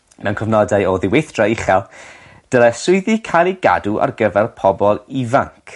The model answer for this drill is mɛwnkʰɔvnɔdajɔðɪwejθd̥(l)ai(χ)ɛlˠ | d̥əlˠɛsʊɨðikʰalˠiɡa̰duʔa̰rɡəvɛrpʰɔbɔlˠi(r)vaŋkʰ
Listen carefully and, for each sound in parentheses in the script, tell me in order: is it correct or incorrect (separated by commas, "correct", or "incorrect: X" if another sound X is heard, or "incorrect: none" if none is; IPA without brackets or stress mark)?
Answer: incorrect: r, correct, incorrect: none